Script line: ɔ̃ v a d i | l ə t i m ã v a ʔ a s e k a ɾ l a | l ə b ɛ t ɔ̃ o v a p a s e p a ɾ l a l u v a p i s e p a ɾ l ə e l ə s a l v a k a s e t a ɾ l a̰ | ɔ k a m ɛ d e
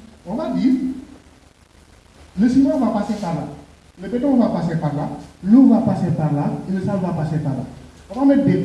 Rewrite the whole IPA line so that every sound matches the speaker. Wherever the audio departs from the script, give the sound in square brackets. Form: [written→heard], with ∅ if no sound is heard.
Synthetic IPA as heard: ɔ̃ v a d i | l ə [t→s] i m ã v a [ʔ→p] a s e [k→p] a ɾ l a | l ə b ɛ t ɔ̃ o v a p a s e p a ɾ l a l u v a p [i→a] s e p a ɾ l [ə→a] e l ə s a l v a [k→p] a s e [t→p] a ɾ l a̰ | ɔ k a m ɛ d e